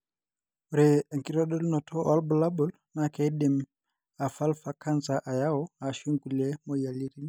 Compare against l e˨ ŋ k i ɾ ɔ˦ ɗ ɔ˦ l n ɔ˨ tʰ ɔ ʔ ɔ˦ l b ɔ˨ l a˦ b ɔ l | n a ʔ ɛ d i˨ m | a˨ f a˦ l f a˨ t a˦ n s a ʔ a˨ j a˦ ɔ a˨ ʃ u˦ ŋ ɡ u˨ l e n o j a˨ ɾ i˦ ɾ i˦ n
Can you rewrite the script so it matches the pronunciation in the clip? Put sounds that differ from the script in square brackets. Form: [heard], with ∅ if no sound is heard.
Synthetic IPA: [ɾ] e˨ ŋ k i ɾ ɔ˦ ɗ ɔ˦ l n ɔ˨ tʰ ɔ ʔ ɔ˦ l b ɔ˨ l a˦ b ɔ l | n a [k] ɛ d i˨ m | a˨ f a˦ l f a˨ [k] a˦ n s a ʔ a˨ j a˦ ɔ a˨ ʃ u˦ ŋ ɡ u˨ l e [m] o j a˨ [l] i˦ ɾ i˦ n